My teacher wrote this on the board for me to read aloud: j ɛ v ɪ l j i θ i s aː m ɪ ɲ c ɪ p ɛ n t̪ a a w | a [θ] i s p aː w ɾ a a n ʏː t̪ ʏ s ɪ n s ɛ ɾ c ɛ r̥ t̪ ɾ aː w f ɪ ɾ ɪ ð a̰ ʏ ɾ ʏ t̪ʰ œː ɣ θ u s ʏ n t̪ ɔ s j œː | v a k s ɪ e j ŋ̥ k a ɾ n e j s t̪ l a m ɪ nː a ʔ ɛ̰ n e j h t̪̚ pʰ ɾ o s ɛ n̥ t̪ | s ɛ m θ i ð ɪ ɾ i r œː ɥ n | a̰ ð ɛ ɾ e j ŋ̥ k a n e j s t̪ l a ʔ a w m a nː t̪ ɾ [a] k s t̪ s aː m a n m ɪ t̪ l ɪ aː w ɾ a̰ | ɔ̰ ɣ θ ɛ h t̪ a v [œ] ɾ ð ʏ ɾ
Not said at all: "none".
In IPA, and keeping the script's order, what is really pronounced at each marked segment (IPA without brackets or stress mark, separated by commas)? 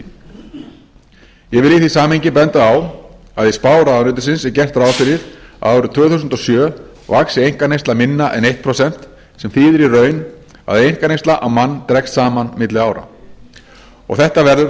ð, ɛ, ɛ